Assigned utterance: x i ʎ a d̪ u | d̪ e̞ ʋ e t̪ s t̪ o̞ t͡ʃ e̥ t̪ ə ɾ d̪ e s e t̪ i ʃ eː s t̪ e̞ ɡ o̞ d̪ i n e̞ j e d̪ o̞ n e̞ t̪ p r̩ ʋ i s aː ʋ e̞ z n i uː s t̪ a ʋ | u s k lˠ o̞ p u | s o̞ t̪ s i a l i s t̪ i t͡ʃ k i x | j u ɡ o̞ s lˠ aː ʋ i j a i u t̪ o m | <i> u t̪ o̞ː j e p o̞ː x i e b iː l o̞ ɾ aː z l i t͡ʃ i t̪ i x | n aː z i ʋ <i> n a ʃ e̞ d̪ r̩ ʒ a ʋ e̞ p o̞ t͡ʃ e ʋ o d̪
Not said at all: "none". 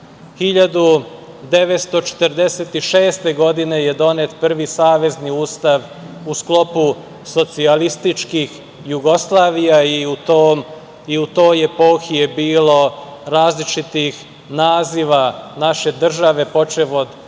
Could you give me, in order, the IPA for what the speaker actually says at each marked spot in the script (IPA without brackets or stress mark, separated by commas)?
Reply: i, a